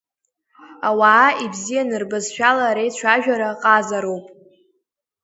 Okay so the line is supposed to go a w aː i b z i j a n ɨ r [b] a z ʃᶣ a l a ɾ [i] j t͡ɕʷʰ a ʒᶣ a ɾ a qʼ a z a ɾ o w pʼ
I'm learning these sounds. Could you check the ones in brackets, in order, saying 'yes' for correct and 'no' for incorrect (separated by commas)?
yes, no